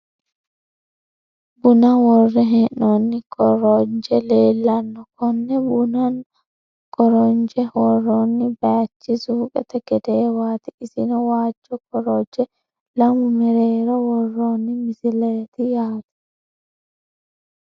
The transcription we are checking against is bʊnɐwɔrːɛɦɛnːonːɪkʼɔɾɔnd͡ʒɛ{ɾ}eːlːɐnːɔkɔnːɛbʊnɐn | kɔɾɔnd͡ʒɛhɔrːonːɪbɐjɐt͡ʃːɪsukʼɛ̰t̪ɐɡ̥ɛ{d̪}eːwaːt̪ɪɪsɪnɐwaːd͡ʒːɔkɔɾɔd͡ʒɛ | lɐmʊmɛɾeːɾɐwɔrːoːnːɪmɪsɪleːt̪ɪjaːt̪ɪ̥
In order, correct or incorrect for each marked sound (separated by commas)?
incorrect, correct